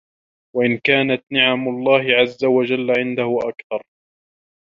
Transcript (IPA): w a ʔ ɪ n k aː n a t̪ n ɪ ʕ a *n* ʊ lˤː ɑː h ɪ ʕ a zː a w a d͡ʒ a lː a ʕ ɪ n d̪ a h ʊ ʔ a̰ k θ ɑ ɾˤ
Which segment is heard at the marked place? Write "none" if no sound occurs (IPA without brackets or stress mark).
m